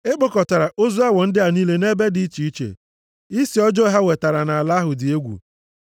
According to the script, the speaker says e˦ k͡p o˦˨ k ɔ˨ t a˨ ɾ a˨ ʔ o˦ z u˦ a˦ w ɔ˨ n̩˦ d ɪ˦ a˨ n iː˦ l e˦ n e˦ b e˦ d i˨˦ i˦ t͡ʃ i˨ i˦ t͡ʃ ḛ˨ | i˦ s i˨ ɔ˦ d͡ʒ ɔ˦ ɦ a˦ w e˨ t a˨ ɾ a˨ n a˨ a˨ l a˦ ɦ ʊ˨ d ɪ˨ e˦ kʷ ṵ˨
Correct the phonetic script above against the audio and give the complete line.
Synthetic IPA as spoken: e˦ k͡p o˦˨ k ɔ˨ t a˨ ɾ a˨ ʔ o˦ z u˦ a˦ w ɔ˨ n̩˦ d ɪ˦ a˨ n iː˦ l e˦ n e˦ b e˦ d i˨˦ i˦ t͡ʃ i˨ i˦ t͡ʃ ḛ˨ | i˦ s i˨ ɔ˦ d͡ʒ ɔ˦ ɦ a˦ w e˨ t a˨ ɾ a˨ n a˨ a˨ l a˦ ɦ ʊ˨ d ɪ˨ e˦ ɡʷ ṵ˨